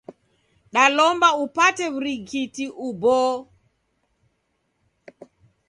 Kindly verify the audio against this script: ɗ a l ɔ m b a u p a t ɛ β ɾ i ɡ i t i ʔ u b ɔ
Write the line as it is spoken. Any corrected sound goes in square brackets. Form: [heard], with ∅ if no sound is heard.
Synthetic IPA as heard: ɗ a l ɔ m b a u p a t ɛ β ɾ i ɡ i t i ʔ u b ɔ